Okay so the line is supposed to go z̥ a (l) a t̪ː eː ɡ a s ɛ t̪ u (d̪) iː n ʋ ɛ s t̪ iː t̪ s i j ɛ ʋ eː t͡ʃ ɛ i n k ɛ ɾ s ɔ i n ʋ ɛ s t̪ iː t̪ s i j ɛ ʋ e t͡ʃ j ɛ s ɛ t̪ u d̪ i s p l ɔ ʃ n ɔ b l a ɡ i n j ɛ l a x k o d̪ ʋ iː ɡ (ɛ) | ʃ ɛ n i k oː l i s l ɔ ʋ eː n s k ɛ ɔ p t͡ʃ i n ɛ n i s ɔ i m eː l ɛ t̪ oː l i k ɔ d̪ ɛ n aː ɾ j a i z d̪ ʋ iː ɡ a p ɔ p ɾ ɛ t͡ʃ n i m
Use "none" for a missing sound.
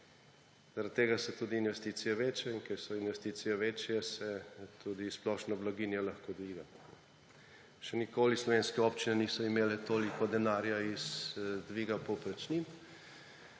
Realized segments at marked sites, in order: ɾ, d̪, a

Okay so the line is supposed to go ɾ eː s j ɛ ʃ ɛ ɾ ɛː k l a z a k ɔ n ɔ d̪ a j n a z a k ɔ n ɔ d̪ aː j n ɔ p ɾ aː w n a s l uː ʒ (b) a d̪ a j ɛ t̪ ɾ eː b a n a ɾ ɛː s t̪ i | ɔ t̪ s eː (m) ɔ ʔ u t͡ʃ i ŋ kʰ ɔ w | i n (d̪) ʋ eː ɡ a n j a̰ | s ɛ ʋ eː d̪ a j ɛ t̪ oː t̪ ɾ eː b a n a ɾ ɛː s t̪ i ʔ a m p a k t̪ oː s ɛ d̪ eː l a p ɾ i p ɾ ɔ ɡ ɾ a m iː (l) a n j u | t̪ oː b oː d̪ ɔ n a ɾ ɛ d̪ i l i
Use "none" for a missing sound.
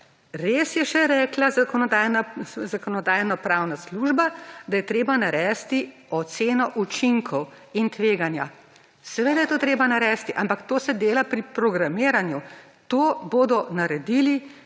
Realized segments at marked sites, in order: b, n, t̪, ɾ

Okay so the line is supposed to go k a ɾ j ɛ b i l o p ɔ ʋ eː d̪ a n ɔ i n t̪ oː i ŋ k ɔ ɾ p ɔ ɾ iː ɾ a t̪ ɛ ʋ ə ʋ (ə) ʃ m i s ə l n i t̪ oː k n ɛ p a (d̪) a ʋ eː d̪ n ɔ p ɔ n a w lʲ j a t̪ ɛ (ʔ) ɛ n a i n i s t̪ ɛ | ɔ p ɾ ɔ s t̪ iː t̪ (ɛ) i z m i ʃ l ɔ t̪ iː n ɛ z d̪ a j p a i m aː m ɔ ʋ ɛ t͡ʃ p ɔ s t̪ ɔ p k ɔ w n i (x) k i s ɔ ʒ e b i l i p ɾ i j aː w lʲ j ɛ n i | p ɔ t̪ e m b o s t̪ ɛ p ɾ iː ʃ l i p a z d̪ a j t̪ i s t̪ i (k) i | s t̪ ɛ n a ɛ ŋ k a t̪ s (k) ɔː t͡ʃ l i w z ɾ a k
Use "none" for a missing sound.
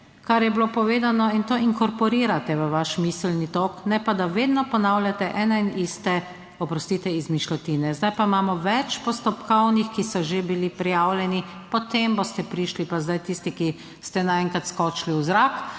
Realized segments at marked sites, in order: a, d̪, ʔ, ɛ, x, k, k

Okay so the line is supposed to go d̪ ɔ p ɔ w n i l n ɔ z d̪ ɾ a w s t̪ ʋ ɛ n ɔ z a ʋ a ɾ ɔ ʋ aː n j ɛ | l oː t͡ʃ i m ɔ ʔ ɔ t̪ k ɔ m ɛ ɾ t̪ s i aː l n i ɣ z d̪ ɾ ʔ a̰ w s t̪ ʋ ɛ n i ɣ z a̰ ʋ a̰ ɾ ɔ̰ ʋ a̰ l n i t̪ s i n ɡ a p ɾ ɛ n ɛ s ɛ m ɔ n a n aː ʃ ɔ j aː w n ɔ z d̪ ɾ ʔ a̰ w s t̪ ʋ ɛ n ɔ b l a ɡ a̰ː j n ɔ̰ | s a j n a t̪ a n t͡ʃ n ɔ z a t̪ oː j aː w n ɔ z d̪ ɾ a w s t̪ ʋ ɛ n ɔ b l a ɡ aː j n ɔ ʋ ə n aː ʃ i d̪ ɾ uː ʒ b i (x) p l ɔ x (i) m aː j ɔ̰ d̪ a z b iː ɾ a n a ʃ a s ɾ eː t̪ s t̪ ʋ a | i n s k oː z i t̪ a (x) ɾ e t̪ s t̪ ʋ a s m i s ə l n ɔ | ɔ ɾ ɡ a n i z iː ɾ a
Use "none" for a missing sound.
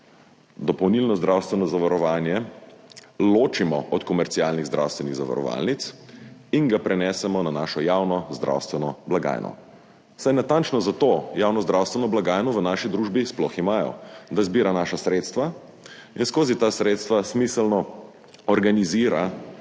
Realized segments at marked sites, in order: s, i, s

